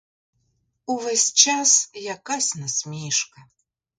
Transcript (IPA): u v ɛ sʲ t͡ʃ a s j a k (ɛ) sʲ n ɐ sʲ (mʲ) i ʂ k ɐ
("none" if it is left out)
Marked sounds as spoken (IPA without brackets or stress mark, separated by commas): a, mʲ